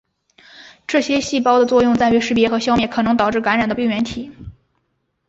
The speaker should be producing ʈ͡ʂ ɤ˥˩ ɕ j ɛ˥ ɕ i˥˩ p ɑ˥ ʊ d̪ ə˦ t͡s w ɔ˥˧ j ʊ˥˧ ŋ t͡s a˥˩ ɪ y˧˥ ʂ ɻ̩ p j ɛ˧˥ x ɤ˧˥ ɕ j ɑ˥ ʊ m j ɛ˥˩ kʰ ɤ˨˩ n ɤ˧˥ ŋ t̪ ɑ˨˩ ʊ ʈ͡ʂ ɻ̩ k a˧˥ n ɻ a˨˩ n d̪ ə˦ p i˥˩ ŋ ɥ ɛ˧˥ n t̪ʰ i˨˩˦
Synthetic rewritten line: ʈ͡ʂ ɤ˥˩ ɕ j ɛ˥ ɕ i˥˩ p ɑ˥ ʊ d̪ ə˨ t͡s w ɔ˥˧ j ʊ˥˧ ŋ t͡s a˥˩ ɪ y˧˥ ʂ ɻ̩ p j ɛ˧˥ x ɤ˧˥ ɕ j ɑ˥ ʊ m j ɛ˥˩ kʰ ɤ˨˩ n ɤ˧˥ ŋ t̪ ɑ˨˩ ʊ ʈ͡ʂ ɻ̩ k a˧˥ n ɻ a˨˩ n d̪ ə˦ p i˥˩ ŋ ɥ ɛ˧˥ n t̪ʰ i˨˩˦